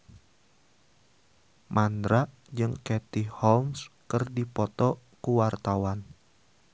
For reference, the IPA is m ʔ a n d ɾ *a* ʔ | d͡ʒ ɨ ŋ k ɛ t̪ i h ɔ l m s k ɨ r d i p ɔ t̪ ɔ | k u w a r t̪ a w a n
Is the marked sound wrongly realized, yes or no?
no